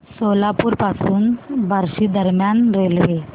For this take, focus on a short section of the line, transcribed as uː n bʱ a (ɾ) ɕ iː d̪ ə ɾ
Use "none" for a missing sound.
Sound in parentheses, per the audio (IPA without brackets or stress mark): ɾ